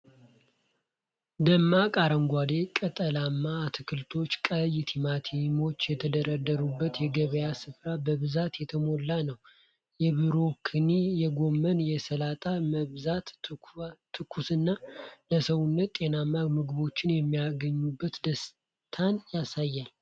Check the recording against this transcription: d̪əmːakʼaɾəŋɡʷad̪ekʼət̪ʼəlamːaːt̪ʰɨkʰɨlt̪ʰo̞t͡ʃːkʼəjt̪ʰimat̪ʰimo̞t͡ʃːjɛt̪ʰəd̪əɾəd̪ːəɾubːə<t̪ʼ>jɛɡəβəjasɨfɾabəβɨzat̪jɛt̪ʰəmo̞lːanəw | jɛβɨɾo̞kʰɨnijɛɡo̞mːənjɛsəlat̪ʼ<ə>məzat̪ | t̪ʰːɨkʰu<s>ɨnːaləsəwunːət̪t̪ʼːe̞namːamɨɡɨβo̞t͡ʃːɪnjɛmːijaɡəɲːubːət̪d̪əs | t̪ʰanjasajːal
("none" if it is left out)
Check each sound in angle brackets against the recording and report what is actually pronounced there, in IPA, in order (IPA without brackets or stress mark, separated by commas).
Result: t̪, a, s